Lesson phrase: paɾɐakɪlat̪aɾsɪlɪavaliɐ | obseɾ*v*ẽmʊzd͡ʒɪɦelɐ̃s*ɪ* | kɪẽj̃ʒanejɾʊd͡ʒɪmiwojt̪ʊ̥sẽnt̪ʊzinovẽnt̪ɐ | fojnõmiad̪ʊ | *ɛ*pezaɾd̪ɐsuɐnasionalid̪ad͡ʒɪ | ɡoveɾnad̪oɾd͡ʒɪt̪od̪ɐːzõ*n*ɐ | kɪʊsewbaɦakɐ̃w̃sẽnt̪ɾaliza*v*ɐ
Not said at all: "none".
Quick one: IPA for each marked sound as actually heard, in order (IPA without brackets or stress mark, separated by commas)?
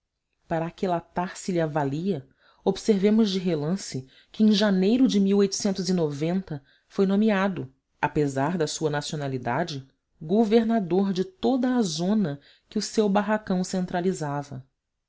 v, ɪ, a, n, v